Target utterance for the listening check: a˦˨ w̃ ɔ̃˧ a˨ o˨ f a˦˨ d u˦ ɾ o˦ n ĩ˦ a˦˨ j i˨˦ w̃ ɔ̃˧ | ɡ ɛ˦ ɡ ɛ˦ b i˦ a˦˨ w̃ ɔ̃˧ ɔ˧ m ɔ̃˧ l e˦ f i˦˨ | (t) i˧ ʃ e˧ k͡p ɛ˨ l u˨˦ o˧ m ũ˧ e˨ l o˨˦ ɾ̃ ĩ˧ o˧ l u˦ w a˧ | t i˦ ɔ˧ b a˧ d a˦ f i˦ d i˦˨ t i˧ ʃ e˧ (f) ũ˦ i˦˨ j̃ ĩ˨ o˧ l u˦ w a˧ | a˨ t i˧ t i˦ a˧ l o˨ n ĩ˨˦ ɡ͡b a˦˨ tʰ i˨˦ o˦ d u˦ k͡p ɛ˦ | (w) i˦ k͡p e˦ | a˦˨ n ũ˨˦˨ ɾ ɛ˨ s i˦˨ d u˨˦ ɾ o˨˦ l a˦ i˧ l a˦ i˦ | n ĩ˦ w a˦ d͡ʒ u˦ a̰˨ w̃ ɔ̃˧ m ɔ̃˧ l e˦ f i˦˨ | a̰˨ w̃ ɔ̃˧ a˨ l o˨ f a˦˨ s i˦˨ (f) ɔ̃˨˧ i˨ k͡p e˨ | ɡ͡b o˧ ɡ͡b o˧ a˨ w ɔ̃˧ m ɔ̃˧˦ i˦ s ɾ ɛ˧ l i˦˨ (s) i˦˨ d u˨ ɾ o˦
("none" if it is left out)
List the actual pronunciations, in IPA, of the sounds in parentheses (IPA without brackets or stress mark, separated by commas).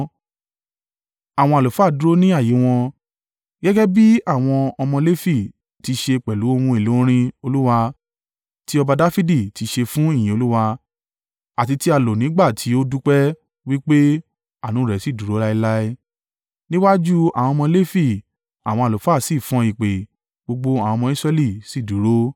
t, f, w, f, s